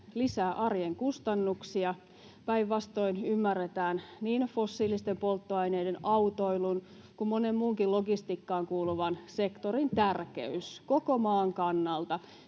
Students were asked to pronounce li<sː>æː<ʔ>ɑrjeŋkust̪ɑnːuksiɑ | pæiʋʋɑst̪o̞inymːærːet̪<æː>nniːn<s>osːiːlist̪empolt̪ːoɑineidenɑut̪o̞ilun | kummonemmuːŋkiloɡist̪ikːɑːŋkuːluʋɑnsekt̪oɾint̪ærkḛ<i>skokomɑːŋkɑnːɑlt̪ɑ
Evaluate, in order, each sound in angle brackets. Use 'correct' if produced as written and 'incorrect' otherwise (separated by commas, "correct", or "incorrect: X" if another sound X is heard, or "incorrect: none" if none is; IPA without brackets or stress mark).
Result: incorrect: s, correct, correct, incorrect: f, incorrect: y